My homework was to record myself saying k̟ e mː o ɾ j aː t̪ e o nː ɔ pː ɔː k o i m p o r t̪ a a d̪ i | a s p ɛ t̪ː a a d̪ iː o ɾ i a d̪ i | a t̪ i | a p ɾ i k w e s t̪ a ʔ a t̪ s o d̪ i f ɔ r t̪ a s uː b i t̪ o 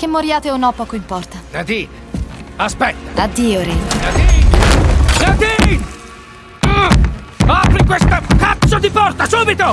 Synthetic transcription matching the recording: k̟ e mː o ɾ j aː t̪ e o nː ɔ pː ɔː k o i m p ɔ r t̪ a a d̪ i | a s p ɛ t̪ː a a d̪ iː o ɾ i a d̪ i | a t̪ i | a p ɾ i k w e s t̪ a k a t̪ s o d̪ i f ɔ r t̪ a s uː b i t̪ o